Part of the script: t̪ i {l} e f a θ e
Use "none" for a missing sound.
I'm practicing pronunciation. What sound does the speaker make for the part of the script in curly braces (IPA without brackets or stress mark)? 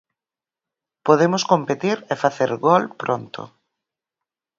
ɾ